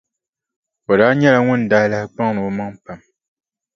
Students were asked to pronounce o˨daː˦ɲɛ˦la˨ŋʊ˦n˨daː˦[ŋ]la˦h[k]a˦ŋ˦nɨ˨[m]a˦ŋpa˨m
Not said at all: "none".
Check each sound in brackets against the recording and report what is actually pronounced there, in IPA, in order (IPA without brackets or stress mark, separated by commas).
none, k͡p, m